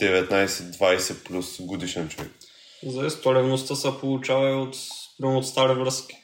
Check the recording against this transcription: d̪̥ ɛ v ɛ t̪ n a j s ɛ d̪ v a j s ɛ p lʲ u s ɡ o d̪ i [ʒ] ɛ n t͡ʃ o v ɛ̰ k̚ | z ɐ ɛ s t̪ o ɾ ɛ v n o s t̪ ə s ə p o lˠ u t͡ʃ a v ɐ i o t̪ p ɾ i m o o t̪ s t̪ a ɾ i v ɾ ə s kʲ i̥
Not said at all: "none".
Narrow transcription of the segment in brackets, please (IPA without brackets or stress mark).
ʃ